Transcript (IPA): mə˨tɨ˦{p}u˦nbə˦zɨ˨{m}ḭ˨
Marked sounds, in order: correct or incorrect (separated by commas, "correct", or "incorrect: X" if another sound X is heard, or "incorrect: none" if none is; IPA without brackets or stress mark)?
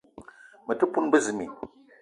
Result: correct, correct